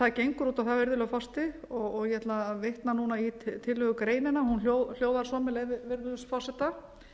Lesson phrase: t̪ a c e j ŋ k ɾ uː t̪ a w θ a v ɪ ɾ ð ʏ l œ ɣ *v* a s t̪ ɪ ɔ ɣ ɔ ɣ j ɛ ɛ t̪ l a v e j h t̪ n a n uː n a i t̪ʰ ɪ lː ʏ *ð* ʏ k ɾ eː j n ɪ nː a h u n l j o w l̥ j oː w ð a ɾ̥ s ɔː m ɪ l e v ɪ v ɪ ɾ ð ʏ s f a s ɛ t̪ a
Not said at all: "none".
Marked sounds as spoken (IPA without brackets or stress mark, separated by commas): f, ɣ